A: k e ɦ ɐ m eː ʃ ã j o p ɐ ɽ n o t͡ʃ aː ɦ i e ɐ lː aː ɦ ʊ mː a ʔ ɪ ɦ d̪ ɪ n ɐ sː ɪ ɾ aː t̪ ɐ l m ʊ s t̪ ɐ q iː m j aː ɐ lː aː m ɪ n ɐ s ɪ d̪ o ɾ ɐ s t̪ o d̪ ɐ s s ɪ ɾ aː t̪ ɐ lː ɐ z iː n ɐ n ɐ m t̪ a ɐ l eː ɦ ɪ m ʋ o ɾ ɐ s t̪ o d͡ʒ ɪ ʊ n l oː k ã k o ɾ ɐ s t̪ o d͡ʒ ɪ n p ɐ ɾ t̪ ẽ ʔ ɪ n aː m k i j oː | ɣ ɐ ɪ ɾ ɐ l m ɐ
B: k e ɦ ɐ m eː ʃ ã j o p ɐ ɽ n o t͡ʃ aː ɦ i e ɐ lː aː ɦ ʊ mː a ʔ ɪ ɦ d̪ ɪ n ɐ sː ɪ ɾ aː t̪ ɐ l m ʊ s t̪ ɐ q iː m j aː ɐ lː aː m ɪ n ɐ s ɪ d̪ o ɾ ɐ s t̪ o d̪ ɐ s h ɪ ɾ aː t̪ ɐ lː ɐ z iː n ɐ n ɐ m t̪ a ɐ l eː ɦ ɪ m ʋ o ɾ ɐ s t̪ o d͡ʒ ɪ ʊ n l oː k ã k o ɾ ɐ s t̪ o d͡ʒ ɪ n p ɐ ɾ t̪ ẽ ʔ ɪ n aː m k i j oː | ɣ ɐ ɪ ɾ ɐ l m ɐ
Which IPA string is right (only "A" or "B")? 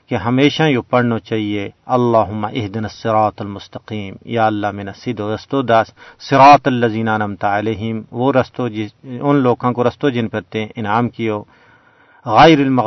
A